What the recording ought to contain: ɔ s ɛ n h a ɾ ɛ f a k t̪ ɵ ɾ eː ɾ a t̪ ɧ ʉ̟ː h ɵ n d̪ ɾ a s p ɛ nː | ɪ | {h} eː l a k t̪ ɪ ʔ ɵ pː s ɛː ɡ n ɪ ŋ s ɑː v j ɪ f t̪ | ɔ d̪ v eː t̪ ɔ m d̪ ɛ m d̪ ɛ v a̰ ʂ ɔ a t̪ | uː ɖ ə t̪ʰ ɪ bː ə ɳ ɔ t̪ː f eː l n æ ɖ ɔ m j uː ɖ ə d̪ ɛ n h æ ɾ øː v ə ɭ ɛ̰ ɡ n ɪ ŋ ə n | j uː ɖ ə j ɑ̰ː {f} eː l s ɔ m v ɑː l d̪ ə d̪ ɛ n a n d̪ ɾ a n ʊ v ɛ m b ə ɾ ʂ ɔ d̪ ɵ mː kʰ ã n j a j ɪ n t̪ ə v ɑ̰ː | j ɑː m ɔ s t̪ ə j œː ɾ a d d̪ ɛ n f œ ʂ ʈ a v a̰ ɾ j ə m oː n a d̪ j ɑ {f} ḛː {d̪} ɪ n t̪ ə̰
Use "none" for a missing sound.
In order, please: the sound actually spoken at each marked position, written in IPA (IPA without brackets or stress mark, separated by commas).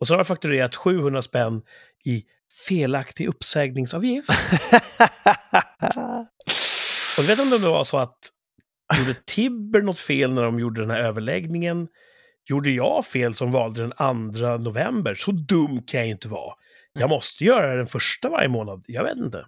f, f, v, t̪